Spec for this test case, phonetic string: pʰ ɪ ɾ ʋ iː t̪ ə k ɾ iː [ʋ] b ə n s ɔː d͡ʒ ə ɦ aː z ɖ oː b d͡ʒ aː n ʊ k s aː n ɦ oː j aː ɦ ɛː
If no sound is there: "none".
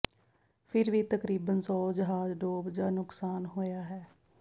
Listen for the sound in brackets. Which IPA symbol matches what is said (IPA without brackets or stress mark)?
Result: none